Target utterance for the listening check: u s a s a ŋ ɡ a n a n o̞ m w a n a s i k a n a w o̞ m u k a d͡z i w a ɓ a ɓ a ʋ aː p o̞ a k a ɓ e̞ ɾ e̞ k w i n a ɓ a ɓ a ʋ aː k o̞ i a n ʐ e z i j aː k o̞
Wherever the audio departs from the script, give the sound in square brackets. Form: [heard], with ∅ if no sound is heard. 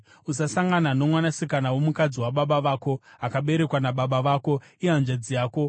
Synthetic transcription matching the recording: u s a s a ŋ ɡ a n a n o̞ m w a n a s i k a n a w o̞ m u k a d͡z i w a ɓ a ɓ a ʋ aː [k] o̞ a k a ɓ e̞ ɾ e̞ k w [a] n a ɓ a ɓ a ʋ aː k o̞ i a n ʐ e [d͡z] i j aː k o̞